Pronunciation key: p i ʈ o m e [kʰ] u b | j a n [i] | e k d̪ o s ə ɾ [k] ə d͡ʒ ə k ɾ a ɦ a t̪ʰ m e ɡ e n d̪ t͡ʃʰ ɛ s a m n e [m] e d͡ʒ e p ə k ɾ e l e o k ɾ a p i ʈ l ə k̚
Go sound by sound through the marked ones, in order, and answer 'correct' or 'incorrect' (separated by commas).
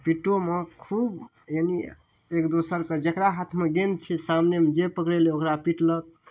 correct, correct, correct, correct